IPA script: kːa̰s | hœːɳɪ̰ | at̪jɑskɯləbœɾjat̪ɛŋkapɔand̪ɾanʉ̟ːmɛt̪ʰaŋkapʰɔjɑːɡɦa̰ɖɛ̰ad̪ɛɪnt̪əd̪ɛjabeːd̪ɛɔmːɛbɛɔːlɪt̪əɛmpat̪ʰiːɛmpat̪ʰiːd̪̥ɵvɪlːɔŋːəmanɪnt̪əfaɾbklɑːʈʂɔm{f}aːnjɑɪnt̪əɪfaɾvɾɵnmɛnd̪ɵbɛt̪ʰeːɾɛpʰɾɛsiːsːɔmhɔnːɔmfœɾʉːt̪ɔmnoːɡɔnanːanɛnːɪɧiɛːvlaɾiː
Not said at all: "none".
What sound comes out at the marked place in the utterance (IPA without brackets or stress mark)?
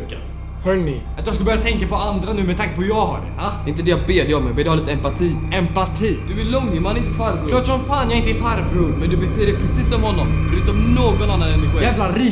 f